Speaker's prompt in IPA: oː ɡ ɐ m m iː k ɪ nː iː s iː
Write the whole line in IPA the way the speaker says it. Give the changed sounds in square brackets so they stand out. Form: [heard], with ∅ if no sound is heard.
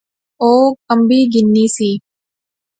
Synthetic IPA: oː [k] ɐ m [b] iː [ɡ] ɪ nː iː s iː

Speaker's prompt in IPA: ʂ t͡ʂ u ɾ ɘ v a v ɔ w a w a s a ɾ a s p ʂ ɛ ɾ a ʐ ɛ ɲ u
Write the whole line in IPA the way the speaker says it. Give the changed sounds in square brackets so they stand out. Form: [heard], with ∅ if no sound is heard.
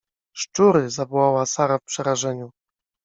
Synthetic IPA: ʂ t͡ʂ u ɾ ɘ [z] a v ɔ w a w a s a ɾ a [f] p ʂ ɛ ɾ a ʐ ɛ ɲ u

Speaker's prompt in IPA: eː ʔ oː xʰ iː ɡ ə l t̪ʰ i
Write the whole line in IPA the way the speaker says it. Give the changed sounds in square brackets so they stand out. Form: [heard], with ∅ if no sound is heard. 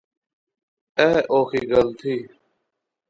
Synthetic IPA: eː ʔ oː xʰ iː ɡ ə l t̪ʰ [iː]

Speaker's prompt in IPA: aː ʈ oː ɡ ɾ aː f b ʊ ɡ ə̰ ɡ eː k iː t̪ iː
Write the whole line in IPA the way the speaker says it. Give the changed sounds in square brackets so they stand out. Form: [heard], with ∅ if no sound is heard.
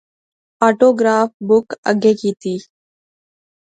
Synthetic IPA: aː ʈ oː ɡ ɾ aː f b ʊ [k] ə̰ ɡ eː k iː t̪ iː

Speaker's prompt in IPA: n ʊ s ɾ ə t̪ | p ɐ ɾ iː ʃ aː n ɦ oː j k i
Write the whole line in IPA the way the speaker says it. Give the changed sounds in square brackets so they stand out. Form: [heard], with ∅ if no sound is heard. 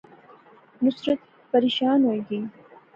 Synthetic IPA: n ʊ s ɾ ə t̪ | p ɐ ɾ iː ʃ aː n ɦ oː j [ɡ] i

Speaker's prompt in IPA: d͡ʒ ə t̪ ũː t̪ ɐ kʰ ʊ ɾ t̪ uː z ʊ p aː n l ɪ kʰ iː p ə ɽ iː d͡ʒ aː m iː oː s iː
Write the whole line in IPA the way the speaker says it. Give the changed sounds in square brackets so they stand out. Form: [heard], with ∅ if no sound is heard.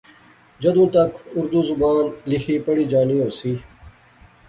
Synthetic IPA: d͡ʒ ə [d̪] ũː t̪ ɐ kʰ ʊ ɾ [d̪] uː z ʊ [b] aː n l ɪ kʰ iː p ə ɽ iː d͡ʒ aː [n] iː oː s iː

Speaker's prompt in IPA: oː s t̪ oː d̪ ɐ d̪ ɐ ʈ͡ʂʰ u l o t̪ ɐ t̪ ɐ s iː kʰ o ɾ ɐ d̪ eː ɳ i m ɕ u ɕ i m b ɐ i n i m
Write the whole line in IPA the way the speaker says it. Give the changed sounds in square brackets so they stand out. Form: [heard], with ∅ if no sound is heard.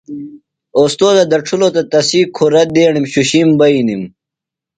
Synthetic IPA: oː s t̪ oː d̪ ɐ d̪ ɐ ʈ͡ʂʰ u l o t̪ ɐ t̪ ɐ s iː kʰ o ɾ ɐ d̪ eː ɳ i m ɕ u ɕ i m b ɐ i n i m

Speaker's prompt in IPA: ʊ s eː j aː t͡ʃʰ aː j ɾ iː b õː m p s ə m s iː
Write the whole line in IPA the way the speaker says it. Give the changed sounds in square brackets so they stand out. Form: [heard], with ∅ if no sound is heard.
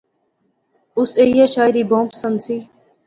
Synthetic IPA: ʊ s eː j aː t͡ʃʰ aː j ɾ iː b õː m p s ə [n] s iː

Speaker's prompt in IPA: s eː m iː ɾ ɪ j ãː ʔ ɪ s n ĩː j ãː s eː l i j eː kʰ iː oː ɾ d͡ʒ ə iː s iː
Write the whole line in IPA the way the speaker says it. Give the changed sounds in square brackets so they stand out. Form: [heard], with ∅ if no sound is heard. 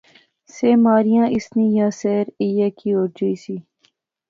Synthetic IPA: s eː m [aː] ɾ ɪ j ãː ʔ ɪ s n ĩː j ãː s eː [ɾ] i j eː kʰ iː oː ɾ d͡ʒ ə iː s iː

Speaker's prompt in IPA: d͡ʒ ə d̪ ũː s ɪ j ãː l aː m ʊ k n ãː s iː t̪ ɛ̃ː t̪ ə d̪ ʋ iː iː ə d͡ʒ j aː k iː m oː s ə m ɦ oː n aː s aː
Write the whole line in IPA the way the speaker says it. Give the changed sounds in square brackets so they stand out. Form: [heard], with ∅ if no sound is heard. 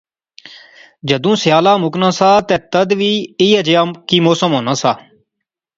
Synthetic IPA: d͡ʒ ə d̪ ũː s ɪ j [aː] l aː m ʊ k n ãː s [aː] t̪ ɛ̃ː t̪ ə d̪ ʋ iː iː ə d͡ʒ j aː k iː m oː s ə m ɦ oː n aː s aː

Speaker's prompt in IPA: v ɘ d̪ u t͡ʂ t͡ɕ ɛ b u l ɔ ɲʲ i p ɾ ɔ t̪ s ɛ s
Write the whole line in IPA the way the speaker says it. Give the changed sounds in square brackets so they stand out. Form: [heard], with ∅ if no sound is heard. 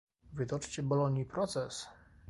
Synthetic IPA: v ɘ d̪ [ɔ] t͡ʂ t͡ɕ ɛ b [ɔ] l ɔ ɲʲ i p ɾ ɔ t̪ s ɛ s

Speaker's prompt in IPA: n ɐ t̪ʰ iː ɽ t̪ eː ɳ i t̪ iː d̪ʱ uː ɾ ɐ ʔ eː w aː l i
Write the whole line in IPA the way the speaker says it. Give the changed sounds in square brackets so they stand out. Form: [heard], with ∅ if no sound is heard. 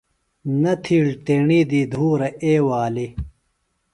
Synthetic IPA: n ɐ t̪ʰ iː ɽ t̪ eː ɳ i [d̪] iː d̪ʱ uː ɾ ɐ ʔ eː w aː l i

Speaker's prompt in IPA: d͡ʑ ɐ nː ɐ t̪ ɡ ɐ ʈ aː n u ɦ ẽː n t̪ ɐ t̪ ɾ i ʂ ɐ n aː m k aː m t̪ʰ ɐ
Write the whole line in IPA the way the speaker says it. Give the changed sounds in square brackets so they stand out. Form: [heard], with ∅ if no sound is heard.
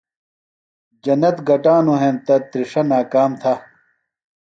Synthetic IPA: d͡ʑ ɐ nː ɐ t̪ ɡ ɐ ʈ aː n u ɦ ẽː n t̪ ɐ t̪ ɾ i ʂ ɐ n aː [∅] k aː m t̪ʰ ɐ

